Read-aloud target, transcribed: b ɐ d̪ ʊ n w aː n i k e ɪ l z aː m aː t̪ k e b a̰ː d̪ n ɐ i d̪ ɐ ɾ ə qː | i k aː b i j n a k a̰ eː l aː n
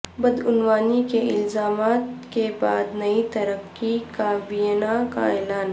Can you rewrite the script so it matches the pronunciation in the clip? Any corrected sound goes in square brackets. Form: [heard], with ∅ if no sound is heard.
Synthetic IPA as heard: b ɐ d̪ ʊ n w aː n i k e ɪ l z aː m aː t̪ k e b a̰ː d̪ n ɐ i [t̪] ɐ ɾ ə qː | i k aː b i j n a k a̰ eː l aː n

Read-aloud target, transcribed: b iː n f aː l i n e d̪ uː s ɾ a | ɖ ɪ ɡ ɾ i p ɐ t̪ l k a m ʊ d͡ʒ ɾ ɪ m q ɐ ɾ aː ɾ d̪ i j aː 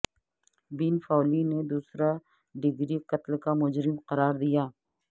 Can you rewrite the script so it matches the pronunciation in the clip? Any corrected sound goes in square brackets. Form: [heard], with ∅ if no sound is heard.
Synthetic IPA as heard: b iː n f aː l i n e d̪ uː s ɾ a | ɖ ɪ ɡ ɾ i [q] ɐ t̪ l k a m ʊ d͡ʒ ɾ ɪ m q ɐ ɾ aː ɾ d̪ i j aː

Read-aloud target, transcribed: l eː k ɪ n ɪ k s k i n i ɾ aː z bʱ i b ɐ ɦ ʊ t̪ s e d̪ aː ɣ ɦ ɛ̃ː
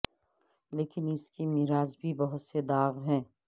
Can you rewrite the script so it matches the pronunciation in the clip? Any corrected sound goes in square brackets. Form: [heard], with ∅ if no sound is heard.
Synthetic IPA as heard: l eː k ɪ n ɪ [∅] s k i [m] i ɾ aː z bʱ i b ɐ ɦ ʊ t̪ s e d̪ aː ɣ ɦ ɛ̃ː

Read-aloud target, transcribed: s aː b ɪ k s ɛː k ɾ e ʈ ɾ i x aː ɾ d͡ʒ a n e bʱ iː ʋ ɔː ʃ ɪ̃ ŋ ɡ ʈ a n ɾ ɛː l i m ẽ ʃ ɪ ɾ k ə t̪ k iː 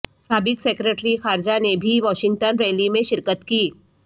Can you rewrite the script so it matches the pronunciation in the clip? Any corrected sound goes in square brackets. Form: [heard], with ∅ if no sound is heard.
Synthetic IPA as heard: s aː b ɪ k s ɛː k ɾ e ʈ ɾ i x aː ɾ d͡ʒ a n e bʱ [i] ʋ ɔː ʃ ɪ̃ ŋ ɡ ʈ [ə] n ɾ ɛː l i m ẽ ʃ ɪ ɾ k ə t̪ k iː

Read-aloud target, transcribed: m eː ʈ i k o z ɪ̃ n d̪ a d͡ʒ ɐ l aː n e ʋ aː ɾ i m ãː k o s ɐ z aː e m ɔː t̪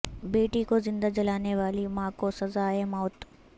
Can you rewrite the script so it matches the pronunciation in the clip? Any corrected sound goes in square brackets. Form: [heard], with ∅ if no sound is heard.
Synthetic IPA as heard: [b] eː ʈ i k o z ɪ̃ n d̪ a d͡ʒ ɐ l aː n e ʋ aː [l] i m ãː k o s ɐ z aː e m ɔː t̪

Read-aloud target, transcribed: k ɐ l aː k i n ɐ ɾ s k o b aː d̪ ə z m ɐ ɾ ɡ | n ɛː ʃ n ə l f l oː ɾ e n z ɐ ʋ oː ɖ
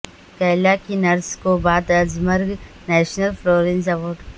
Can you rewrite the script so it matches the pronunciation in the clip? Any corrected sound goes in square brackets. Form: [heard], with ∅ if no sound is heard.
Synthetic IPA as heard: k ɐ l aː k i n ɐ ɾ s k o b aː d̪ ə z m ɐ ɾ ɡ | n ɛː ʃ n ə l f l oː ɾ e n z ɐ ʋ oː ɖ

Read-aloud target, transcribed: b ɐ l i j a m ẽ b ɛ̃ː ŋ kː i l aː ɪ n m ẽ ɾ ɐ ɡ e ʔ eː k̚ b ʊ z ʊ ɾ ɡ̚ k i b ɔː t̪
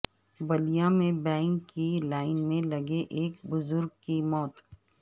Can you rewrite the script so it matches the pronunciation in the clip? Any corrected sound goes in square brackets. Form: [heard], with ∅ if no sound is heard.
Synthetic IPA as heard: b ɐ l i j a m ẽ b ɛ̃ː ŋ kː i l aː ɪ n m ẽ [l] ɐ ɡ e ʔ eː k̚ b ʊ z ʊ ɾ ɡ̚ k i [m] ɔː t̪

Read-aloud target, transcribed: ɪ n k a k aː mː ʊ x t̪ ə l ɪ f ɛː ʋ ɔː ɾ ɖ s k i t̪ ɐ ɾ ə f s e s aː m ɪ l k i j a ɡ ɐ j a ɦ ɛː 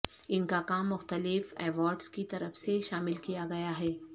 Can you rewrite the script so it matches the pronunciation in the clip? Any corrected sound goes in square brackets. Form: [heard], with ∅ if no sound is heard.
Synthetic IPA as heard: ɪ n k a k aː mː ʊ x t̪ ə l ɪ f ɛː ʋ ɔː ɾ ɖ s k i t̪ ɐ ɾ ə f s e [ʃ] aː m ɪ l k i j a ɡ ɐ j a ɦ ɛː

